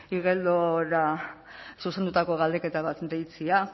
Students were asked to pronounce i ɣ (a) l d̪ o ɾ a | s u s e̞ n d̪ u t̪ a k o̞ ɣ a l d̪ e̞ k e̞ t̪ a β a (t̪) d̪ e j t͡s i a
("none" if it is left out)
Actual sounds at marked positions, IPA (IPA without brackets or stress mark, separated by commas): e, t̪